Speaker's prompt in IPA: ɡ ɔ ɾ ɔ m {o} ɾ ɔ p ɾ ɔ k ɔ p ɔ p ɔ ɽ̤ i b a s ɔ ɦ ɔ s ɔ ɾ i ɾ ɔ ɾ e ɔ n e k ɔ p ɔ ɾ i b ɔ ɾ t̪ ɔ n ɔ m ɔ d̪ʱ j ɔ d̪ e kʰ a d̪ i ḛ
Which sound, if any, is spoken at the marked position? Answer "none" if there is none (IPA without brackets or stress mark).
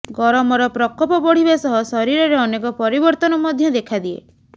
ɔ